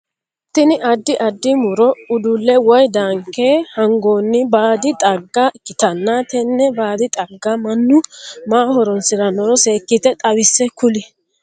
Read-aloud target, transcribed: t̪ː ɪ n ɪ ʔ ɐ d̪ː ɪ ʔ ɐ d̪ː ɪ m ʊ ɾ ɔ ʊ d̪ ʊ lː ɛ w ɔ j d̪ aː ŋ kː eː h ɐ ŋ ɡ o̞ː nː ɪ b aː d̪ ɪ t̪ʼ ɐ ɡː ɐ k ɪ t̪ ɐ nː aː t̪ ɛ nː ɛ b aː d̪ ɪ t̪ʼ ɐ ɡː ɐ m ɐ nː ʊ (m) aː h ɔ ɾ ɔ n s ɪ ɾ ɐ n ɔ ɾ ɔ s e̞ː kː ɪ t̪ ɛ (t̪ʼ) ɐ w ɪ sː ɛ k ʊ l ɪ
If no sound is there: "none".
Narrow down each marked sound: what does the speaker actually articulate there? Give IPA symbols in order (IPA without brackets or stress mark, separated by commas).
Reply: m, t̪ʼ